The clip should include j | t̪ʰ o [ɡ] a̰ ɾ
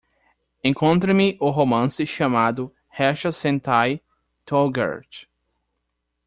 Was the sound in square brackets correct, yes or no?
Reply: yes